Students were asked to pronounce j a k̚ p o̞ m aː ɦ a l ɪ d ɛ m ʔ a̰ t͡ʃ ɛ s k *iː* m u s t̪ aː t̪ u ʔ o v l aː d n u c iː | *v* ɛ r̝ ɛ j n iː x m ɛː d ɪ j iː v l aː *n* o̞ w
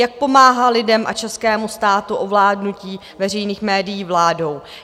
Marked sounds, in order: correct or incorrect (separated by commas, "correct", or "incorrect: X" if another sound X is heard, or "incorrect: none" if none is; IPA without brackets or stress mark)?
incorrect: ɛː, correct, incorrect: d